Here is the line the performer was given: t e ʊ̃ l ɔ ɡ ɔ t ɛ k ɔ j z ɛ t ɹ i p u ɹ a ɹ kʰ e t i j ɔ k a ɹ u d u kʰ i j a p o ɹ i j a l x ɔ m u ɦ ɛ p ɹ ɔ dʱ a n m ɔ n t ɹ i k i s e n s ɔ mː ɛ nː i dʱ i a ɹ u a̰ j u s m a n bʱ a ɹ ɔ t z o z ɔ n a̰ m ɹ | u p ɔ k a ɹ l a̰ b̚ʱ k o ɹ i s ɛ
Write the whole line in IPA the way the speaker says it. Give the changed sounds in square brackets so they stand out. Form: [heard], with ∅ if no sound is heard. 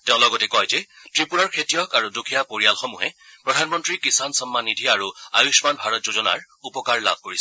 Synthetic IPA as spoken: t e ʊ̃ l ɔ ɡ ɔ t ɛ k ɔ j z ɛ t ɹ i p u ɹ a ɹ kʰ e t i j ɔ k a ɹ u d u kʰ i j a p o ɹ i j a l x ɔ m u ɦ ɛ p ɹ ɔ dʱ a n m ɔ n t ɹ i k i s [a] n s ɔ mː [a] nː i dʱ i a ɹ u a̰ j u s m a n bʱ a ɹ ɔ t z o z ɔ n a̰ [∅] ɹ | u p ɔ k a ɹ l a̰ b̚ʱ k o ɹ i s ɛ